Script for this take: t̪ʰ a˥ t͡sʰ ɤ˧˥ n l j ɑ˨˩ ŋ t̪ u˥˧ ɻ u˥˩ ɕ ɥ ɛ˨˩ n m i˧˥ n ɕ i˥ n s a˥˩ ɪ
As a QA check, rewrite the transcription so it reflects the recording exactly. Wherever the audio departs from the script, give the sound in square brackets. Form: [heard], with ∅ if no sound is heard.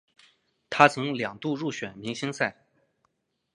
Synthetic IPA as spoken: t̪ʰ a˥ t͡sʰ ɤ˧˥ [ŋ] l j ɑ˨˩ ŋ t̪ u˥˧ ɻ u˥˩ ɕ ɥ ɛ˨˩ n m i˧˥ [ŋ] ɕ i˥ [ŋ] s a˥˩ ɪ